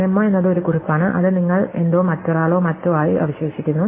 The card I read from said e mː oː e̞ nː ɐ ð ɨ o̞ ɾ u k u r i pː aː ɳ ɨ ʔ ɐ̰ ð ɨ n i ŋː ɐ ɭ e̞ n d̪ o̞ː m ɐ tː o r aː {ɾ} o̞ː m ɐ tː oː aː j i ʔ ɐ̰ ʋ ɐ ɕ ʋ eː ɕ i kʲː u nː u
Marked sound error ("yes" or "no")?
yes